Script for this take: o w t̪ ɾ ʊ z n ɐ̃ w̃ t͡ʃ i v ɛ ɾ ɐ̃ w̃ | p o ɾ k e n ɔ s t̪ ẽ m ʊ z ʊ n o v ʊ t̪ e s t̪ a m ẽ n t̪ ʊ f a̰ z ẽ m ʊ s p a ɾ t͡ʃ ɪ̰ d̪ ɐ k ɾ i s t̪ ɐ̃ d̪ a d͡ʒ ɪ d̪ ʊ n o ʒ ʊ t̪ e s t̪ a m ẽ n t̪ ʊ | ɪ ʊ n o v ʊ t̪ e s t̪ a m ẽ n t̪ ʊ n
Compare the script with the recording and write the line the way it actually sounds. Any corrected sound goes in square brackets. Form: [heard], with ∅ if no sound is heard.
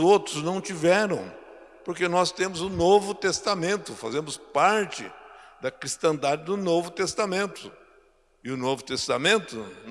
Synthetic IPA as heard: o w t̪ ɾ ʊ z n ɐ̃ w̃ t͡ʃ i v ɛ ɾ ɐ̃ w̃ | p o ɾ k e n ɔ s t̪ ẽ m ʊ z ʊ n o v ʊ t̪ e s t̪ a m ẽ n t̪ ʊ f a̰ z ẽ m ʊ s p a ɾ t͡ʃ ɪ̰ d̪ ɐ k ɾ i s t̪ ɐ̃ d̪ a d͡ʒ ɪ d̪ ʊ n o [v] ʊ t̪ e s t̪ a m ẽ n t̪ ʊ | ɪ ʊ n o v ʊ t̪ e s t̪ a m ẽ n t̪ ʊ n